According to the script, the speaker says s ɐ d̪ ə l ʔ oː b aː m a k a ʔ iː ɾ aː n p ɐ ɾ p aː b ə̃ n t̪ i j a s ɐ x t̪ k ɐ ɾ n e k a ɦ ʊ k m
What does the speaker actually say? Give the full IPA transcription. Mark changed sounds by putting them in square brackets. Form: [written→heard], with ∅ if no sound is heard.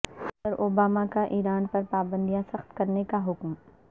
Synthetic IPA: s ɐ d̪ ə [l→ɾ] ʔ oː b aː m a k a ʔ iː ɾ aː n p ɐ ɾ p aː b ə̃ n [t̪→d̪] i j a s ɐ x t̪ k ɐ ɾ n e k a ɦ ʊ k m